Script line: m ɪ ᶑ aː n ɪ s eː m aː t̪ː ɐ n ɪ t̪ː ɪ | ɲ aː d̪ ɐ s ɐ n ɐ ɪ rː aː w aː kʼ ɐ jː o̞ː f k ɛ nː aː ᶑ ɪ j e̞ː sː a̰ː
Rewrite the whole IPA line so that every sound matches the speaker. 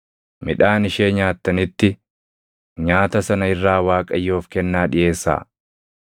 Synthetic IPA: m ɪ ᶑ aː n ɪ ʃ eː ɲ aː t̪ː ɐ n ɪ t̪ː ɪ | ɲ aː t̪ ɐ s ɐ n ɐ ɪ rː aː w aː kʼ ɐ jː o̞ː f k ɛ nː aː ᶑ ɪ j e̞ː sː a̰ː